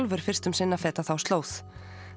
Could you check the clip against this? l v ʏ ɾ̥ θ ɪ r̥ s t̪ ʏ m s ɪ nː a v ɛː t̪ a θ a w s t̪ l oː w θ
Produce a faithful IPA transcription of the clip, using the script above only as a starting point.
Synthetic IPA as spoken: l v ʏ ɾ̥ f ɪ r̥ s t̪ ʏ m s ɪ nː a f ɛː t̪ a θ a w s t̪ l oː w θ